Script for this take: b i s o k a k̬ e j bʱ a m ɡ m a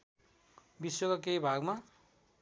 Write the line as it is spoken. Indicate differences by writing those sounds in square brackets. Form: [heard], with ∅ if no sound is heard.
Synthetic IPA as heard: b i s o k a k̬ e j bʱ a [∅] ɡ m a